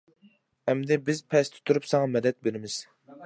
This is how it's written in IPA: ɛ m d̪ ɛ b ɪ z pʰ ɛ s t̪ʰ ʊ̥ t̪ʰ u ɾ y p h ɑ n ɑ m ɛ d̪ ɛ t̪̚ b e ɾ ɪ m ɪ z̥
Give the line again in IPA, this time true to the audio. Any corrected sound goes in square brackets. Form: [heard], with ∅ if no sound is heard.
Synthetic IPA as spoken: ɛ m d̪ ɛ b ɪ z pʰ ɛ s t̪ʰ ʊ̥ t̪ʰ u ɾ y p [s] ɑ [ŋ] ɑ m ɛ d̪ ɛ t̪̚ b e ɾ ɪ m ɪ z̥